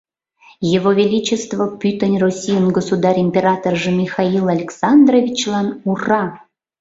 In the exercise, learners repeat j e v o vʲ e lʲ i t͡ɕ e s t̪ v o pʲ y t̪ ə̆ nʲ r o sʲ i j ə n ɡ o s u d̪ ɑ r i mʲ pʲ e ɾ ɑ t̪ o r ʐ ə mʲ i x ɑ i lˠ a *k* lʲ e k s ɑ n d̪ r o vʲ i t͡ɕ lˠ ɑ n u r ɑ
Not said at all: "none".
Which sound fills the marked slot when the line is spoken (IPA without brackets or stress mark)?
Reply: none